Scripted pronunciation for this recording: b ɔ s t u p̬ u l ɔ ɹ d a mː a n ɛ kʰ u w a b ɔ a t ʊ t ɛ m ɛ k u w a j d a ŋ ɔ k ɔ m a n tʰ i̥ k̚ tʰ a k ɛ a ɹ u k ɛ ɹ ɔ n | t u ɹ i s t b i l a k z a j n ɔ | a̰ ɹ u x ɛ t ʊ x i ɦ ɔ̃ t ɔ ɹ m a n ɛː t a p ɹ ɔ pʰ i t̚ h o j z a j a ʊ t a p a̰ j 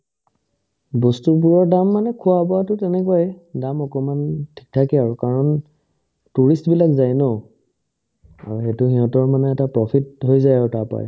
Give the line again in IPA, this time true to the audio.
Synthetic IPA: b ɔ s t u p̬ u ɹ ɔ ɹ d a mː a n ɛ kʰ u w a b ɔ a t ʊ t ɛ n ɛ k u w a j d a m ɔ k ɔ m a n tʰ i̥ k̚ tʰ a k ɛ a ɹ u k a ɹ ɔ n | t u ɹ i s t b i l a k z a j n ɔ | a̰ ɹ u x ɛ t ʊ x i ɦ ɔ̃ t ɔ ɹ m a n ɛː t a p ɹ ɔ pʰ i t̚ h o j z a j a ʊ t a p a̰ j